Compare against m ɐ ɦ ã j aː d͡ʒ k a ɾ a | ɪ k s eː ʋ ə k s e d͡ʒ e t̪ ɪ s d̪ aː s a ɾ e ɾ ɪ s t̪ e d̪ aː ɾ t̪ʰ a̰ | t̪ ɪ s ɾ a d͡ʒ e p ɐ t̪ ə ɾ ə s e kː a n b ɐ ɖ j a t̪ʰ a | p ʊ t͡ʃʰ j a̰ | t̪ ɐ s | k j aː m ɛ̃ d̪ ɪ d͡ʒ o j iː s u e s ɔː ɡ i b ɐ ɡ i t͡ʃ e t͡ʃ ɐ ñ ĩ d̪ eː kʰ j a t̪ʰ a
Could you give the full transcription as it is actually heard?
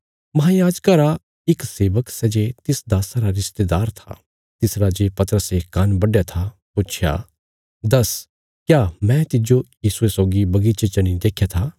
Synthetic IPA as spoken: m ɐ ɦ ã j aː d͡ʒ k a ɾ a | ɪ k s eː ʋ ə k s ɛ d͡ʒ e t̪ ɪ s d̪ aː s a ɾ a ɾ ɪ s t̪ e d̪ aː ɾ t̪ʰ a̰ | t̪ ɪ s ɾ a d͡ʒ e p ɐ t̪ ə ɾ ə s e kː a n b ɐ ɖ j a t̪ʰ a | p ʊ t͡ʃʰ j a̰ | d̪ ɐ s | k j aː m ɛ̃ t̪ ɪ d͡ʒ o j iː s u e s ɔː ɡ i b ɐ ɡ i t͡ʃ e t͡ʃ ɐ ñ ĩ d̪ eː kʰ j a t̪ʰ a